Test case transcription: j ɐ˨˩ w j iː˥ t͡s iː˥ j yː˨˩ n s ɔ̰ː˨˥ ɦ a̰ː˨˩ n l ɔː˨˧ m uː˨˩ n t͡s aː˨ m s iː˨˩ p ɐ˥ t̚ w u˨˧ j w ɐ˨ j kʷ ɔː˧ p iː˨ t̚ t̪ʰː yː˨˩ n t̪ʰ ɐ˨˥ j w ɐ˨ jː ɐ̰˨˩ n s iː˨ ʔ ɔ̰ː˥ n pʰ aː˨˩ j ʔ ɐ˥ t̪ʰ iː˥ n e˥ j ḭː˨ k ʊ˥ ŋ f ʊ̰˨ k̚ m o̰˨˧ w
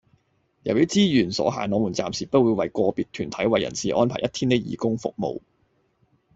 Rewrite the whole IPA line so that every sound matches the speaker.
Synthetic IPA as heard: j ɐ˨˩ w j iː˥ t͡s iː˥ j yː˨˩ n s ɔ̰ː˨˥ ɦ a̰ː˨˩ n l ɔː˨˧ m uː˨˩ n t͡s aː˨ m s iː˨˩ p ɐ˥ t̚ w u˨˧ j w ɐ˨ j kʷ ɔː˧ p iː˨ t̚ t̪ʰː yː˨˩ n t̪ʰ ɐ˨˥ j w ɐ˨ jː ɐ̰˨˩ n s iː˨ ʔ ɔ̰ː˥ n pʰ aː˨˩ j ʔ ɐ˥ t̪ʰ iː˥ n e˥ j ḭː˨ k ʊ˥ ŋ f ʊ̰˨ k̚ m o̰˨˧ w